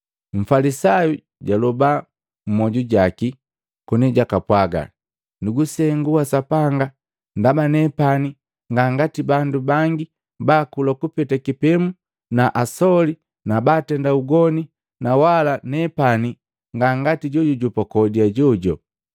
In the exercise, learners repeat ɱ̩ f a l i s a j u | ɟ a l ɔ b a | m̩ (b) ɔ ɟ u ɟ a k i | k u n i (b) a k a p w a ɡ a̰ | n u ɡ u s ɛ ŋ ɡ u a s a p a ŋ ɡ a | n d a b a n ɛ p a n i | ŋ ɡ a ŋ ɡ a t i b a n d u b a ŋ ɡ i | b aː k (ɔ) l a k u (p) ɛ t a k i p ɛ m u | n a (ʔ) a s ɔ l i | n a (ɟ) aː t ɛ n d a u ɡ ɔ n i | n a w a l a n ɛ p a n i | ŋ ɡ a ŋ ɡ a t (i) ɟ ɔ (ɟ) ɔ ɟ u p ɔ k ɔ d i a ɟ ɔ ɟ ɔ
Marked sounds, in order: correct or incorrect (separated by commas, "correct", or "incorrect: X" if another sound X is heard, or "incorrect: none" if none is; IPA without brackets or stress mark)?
incorrect: m, incorrect: ɟ, incorrect: u, correct, correct, incorrect: b, correct, correct